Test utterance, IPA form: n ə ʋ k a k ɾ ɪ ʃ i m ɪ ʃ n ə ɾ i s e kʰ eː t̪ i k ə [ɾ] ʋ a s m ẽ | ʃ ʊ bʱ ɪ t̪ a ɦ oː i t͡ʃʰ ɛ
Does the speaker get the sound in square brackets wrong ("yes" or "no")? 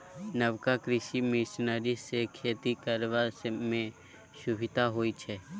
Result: no